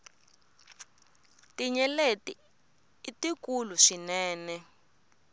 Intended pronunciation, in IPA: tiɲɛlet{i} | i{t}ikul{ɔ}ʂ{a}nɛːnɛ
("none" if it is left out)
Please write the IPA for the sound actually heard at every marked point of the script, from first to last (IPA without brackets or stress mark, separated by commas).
i, t, u, i